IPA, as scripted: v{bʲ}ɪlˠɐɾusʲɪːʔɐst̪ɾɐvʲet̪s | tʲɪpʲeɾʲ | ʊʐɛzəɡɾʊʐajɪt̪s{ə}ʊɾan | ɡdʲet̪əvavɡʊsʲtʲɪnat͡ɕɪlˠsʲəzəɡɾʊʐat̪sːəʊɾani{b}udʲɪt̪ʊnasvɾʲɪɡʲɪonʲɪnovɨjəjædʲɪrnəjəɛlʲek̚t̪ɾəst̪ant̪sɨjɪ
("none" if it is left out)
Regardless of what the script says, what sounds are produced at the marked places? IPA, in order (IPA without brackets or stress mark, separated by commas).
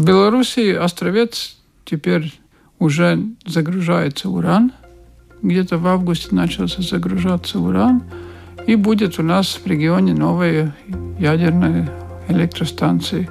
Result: bʲ, ə, b